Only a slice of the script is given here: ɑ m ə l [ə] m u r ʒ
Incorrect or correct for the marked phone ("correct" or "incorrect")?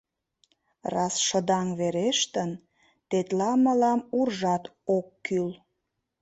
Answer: incorrect